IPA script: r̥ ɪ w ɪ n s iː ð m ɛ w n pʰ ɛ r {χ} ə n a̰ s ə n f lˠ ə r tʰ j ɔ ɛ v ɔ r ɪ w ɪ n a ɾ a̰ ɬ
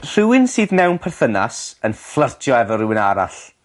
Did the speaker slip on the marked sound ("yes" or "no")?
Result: yes